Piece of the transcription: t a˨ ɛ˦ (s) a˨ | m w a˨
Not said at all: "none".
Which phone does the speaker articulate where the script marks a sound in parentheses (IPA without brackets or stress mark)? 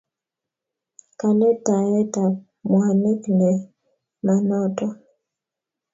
t